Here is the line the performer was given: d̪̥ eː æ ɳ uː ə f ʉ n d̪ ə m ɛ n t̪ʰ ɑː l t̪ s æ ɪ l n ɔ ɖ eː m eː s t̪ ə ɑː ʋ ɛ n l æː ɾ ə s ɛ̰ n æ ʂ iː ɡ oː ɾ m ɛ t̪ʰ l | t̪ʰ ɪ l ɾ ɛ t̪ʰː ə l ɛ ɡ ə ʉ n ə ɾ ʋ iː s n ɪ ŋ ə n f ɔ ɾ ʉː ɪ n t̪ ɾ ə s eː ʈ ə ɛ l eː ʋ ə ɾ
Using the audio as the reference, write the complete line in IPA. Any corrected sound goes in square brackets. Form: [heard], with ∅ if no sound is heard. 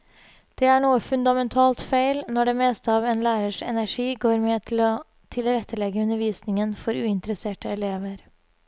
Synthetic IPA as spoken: d̪̥ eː æ ɳ uː ə f ʉ n d̪ [ɑ] m ɛ n t̪ʰ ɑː l t̪ [f] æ ɪ l n ɔ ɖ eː m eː s t̪ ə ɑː ʋ ɛ n l æː ɾ ə [ʂ] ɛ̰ n æ ʂ iː ɡ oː ɾ m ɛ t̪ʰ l | t̪ʰ ɪ l ɾ ɛ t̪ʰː ə l ɛ ɡ ə ʉ n ə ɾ ʋ iː s n ɪ ŋ ə n f ɔ ɾ ʉː ɪ n t̪ ɾ ə s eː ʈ ə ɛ l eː ʋ ə ɾ